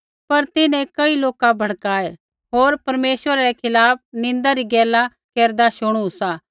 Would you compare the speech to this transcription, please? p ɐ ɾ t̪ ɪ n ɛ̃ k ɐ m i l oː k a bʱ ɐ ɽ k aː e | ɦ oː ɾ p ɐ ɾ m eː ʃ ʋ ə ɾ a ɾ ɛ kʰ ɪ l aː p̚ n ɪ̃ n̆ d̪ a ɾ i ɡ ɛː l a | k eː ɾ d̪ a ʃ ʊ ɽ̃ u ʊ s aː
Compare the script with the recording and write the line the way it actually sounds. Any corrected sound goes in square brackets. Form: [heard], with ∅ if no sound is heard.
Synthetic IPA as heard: p ɐ ɾ t̪ ɪ n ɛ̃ k ɐ [∅] i l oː k a bʱ ɐ ɽ k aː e | ɦ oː ɾ p ɐ ɾ m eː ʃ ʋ ə ɾ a ɾ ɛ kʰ ɪ l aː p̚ n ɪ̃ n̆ d̪ a ɾ i ɡ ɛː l a | k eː ɾ d̪ a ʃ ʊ ɽ̃ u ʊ s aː